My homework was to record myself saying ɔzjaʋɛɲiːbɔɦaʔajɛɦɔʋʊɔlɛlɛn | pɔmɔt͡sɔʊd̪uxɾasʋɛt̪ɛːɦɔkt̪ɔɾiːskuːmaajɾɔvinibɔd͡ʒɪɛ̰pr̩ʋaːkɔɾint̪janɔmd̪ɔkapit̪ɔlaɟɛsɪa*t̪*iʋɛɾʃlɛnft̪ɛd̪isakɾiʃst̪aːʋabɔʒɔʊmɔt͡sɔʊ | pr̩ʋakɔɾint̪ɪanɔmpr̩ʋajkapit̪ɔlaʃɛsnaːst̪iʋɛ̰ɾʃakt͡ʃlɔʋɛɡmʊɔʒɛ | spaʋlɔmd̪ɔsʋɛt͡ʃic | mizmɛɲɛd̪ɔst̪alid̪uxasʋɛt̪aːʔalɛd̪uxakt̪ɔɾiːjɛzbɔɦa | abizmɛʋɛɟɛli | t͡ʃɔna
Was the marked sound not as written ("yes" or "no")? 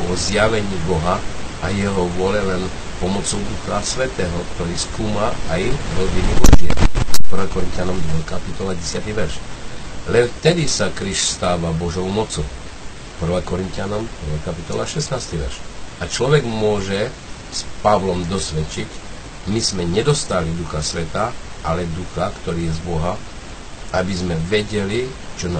no